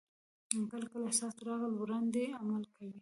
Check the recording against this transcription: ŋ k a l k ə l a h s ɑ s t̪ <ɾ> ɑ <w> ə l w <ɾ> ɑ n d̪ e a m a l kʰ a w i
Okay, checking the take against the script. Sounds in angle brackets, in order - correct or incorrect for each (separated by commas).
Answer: correct, incorrect, correct